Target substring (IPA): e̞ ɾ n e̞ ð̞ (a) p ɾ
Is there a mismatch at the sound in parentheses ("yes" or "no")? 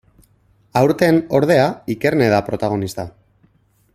no